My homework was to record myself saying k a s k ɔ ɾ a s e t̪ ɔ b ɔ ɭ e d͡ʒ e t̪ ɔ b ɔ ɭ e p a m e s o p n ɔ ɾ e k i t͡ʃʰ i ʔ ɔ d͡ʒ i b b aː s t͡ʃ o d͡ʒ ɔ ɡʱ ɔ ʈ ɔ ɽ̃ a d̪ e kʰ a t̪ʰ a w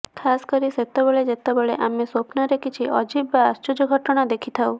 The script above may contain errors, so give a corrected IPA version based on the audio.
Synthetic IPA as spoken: kʰ a s k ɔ ɾ i s e t̪ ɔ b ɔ ɭ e d͡ʒ e t̪ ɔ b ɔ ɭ e ʔ a m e s o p n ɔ ɾ e k i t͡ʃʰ i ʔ ɔ d͡ʒ i b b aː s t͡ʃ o d͡ʒ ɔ ɡʱ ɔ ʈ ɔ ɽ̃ a d̪ e kʰ i t̪ʰ a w